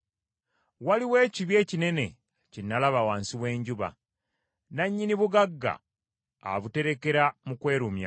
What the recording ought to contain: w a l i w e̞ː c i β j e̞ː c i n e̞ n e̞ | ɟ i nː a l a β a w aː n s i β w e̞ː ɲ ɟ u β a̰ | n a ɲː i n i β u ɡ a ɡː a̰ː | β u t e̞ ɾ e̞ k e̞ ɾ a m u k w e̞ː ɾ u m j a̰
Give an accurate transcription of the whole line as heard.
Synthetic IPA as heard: w a l i w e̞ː c i β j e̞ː c i n e̞ n e̞ | c i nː a l a β a w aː n s i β w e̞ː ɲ ɟ u β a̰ | n a ɲː i n i β u ɡ a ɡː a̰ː | β u t e̞ ɾ e̞ k e̞ ɾ a m u k w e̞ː ɾ u m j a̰